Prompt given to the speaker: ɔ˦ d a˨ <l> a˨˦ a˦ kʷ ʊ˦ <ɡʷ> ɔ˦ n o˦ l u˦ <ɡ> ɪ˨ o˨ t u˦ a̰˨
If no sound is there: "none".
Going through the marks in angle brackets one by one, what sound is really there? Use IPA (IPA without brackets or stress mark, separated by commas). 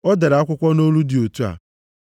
ɾ, kʷ, d